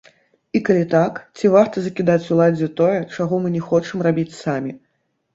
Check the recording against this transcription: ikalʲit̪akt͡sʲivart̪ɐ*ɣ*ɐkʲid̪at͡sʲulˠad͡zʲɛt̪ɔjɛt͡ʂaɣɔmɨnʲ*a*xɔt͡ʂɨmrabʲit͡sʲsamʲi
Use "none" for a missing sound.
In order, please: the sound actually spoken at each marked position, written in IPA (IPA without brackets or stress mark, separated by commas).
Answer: z, ɛ